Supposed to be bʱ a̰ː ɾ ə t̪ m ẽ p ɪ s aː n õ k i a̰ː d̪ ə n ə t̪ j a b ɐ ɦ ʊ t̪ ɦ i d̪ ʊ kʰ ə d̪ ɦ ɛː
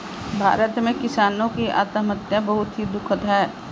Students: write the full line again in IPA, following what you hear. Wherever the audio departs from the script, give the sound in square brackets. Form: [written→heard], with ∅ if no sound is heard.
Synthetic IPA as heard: bʱ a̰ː ɾ ə t̪ m ẽ [p→k] ɪ s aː n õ k i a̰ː [d̪→t̪] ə [n→m] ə t̪ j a b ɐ ɦ ʊ t̪ ɦ i d̪ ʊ kʰ ə [d̪→t̪] ɦ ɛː